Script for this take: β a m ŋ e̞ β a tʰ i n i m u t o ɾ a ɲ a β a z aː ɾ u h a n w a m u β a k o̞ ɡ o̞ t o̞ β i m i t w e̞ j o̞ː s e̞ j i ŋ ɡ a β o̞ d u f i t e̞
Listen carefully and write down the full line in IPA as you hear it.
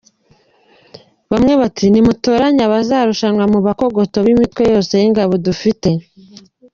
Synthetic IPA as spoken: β a m ŋ e̞ β a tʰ i n i m u t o ɾ a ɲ a β a z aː ɾ u ʃ a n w a m u β a k o̞ ɡ o̞ t o̞ β i m i t w e̞ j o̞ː s e̞ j i ŋ ɡ a β o̞ d u f i t e̞